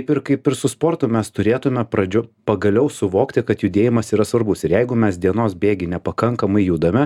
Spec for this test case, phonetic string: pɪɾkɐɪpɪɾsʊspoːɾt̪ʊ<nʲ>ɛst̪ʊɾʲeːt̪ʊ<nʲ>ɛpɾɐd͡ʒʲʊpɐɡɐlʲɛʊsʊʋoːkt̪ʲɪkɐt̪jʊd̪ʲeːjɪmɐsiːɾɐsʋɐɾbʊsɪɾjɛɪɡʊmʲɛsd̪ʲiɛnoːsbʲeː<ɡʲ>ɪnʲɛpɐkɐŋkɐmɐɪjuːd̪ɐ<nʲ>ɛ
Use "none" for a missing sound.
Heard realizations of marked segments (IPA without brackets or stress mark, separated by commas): mʲ, mʲ, ɡʲ, mʲ